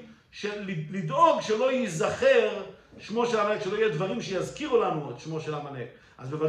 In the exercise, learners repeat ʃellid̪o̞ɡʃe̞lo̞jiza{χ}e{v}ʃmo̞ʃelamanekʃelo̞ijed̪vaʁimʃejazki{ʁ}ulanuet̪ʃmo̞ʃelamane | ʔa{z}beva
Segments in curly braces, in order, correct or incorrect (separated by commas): correct, incorrect, correct, correct